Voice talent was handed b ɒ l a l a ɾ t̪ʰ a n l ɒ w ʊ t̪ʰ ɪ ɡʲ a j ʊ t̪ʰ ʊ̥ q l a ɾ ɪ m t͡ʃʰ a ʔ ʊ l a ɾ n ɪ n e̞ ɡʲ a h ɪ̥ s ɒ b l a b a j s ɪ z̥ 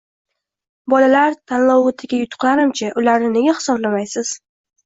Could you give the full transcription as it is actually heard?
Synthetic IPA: b ɒ l a l a ɾ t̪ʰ a n l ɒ w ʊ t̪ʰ ɪ ɡʲ a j ʊ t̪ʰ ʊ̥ q l a ɾ ɪ m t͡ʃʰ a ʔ ʊ l a ɾ n ɪ n e̞ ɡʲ a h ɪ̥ s ɒ b l a m a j s ɪ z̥